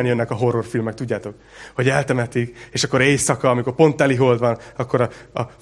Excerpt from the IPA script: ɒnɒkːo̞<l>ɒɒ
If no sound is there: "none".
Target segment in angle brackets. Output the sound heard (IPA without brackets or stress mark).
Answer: ɾ